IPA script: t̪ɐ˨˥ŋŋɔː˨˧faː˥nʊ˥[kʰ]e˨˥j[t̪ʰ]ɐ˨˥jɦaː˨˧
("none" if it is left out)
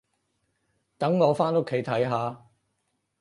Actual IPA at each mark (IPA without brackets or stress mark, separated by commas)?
kʰ, t̪ʰ